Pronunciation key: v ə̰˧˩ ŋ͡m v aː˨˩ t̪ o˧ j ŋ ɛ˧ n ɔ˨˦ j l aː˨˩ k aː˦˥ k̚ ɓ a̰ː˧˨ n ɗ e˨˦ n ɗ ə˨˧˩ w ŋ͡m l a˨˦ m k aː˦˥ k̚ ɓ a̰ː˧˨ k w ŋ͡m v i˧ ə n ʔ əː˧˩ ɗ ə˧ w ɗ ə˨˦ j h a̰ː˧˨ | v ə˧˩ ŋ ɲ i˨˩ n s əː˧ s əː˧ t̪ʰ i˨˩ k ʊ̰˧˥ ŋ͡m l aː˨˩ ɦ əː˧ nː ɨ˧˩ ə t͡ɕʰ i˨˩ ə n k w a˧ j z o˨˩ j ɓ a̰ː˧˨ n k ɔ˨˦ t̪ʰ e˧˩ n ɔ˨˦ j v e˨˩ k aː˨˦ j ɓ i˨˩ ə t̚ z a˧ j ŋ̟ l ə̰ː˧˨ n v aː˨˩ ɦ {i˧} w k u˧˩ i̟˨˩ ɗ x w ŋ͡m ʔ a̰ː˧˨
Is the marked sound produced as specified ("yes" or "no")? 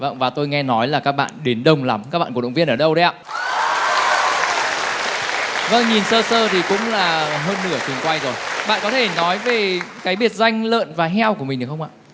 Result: no